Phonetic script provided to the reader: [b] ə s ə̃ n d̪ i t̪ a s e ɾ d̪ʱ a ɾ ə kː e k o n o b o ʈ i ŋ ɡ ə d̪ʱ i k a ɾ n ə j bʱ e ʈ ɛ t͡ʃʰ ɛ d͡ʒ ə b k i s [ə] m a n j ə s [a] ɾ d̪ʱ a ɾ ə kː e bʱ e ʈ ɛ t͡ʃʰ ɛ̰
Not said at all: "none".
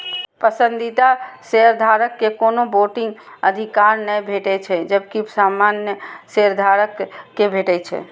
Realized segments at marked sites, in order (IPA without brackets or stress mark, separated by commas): p, a, e